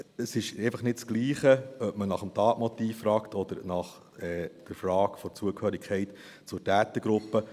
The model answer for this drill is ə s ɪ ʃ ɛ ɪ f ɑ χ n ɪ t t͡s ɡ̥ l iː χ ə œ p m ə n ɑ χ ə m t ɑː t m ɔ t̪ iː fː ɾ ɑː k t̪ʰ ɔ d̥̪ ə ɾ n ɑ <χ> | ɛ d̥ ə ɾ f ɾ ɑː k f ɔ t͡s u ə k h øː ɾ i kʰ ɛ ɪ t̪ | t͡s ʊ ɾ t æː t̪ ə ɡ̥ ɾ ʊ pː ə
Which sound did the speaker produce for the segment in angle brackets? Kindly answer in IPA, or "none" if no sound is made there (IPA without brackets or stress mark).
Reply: χ